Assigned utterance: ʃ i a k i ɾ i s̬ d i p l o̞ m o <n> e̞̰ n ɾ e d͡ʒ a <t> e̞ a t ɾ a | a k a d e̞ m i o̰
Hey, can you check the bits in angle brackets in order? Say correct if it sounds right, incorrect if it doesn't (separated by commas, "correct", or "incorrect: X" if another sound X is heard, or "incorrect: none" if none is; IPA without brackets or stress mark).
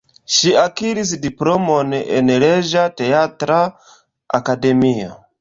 correct, correct